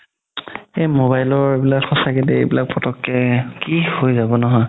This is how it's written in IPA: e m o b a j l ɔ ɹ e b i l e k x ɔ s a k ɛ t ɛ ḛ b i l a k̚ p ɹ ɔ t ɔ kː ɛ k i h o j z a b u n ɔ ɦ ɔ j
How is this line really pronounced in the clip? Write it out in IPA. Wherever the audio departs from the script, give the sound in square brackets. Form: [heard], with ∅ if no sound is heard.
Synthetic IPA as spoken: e m o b a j l ɔ ɹ e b i l [a] k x ɔ s a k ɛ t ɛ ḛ b i l a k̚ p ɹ ɔ t ɔ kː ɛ k i h o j z a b [ɔ] n ɔ ɦ ɔ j